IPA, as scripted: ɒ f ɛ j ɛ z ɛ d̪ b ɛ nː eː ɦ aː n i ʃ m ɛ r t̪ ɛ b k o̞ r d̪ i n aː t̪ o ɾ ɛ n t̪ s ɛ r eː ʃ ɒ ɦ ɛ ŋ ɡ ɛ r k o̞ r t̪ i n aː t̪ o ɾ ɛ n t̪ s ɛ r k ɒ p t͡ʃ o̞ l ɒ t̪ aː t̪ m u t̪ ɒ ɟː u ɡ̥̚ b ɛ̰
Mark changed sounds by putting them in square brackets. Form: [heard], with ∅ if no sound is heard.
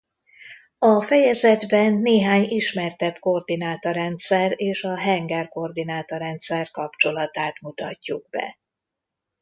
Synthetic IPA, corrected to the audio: ɒ f ɛ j ɛ z ɛ d̪ b ɛ nː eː ɦ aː [ɲ] i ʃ m ɛ r t̪ ɛ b k o̞ r d̪ i n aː t̪ o ɾ ɛ n t̪ s ɛ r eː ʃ ɒ ɦ ɛ ŋ ɡ ɛ r k o̞ r [d̪] i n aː t̪ o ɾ ɛ n t̪ s ɛ r k ɒ p t͡ʃ o̞ l ɒ t̪ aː t̪ m u t̪ ɒ [cː] u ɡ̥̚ b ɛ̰